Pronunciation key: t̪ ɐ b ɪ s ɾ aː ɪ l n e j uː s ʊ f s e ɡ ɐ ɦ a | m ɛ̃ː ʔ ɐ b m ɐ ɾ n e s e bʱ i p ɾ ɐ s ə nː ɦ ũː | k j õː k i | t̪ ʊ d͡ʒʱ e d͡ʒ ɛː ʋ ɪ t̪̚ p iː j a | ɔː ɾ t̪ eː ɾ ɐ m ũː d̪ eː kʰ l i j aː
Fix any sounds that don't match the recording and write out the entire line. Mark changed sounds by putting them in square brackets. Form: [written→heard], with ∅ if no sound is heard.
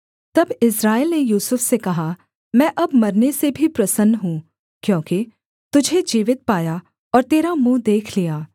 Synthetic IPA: t̪ ɐ b ɪ s ɾ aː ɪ l n e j uː s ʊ f s e [ɡ→k] ɐ ɦ a | m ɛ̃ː ʔ ɐ b m ɐ ɾ n e s e bʱ i p ɾ ɐ s ə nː ɦ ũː | k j õː k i | t̪ ʊ d͡ʒʱ e d͡ʒ [ɛː→iː] ʋ ɪ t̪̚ p [iː→aː] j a | ɔː ɾ t̪ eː ɾ [ɐ→a] m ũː d̪ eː kʰ l i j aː

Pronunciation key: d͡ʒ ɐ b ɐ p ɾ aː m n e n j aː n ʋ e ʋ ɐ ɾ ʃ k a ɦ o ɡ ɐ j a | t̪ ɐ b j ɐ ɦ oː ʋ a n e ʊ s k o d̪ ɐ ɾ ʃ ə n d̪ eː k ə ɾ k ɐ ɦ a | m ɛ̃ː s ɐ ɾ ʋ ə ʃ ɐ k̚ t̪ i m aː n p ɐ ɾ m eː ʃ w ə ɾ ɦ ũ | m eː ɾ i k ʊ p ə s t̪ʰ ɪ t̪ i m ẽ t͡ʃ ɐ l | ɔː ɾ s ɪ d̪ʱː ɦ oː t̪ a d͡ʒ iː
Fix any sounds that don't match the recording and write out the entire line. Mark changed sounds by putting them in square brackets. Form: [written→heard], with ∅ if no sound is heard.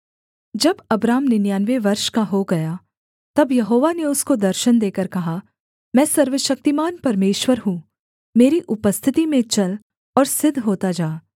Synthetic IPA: d͡ʒ ɐ b ɐ [p→b] ɾ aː m n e n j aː n ʋ e ʋ ɐ ɾ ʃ k a ɦ o ɡ ɐ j a | t̪ ɐ b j ɐ ɦ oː ʋ a n e ʊ s k o d̪ ɐ ɾ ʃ ə n d̪ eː k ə ɾ k ɐ ɦ a | m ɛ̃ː s ɐ ɾ ʋ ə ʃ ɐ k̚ t̪ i m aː n p ɐ ɾ m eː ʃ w ə ɾ ɦ ũ | m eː ɾ i [k→ʔ] ʊ p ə s t̪ʰ ɪ t̪ i m ẽ t͡ʃ ɐ l | ɔː ɾ s ɪ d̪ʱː ɦ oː t̪ a d͡ʒ [iː→aː]

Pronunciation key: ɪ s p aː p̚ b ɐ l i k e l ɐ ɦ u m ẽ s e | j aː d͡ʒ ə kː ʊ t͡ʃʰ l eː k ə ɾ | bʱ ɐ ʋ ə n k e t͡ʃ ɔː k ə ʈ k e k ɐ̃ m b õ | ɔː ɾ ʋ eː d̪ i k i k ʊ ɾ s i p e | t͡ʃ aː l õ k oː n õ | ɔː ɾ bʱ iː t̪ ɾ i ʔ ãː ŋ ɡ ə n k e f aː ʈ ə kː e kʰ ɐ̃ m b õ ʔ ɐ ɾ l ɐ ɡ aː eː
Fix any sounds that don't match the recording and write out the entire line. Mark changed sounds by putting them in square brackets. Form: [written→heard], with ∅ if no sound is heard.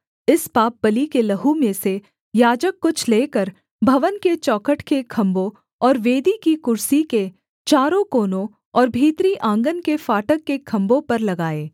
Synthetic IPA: ɪ s p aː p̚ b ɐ l i k e l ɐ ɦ u m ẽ s e | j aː d͡ʒ ə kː ʊ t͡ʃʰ l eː k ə ɾ | bʱ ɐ ʋ ə n k e t͡ʃ ɔː k ə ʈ k e [k→kʰ] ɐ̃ m b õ | ɔː ɾ ʋ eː d̪ i k i k ʊ ɾ s i [p→k] e | t͡ʃ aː [l→ɾ] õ k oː n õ | ɔː ɾ bʱ iː t̪ ɾ i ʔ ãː ŋ ɡ ə n k e f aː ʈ ə kː e kʰ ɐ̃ m b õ [ʔ→p] ɐ ɾ l ɐ ɡ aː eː

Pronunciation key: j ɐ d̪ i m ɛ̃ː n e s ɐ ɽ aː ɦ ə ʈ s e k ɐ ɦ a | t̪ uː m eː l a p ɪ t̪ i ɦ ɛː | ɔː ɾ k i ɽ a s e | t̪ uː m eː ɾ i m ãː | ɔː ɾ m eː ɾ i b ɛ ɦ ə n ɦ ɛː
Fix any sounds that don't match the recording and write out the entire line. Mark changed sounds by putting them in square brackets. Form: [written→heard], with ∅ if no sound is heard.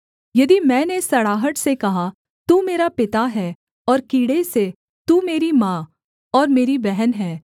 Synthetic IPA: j ɐ d̪ i m ɛ̃ː n e s ɐ ɽ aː ɦ ə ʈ s e k ɐ ɦ a | t̪ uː m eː [l→ɾ] a p ɪ t̪ [i→a] ɦ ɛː | ɔː ɾ k [i→iː] ɽ [a→e] s e | t̪ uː m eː ɾ i m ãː | ɔː ɾ m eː ɾ i b ɛ ɦ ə n ɦ ɛː

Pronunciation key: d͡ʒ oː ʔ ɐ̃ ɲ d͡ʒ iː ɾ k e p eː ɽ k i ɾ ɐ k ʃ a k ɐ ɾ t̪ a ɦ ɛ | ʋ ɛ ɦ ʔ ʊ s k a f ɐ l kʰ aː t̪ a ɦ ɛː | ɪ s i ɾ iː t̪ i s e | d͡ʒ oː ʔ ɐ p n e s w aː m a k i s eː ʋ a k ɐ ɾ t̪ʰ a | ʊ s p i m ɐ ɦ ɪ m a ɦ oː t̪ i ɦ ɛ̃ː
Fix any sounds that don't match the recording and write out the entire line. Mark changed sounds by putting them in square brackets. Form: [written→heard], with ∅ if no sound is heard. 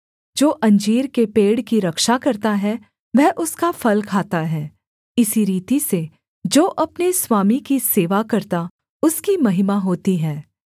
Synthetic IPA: d͡ʒ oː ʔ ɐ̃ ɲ d͡ʒ iː ɾ k e p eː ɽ k i ɾ ɐ k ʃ a k ɐ ɾ t̪ a ɦ ɛ | ʋ ɛ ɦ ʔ ʊ s k a f ɐ l kʰ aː t̪ a ɦ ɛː | ɪ s i ɾ iː t̪ i s e | d͡ʒ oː ʔ ɐ p n e s w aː m [a→i] k i s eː ʋ a k ɐ ɾ [t̪ʰ→t̪] a | ʊ s [p→k] i m ɐ ɦ ɪ m a ɦ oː t̪ i ɦ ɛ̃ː

